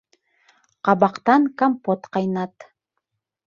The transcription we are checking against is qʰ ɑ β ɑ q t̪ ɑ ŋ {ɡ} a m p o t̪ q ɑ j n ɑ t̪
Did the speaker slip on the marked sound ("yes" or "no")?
yes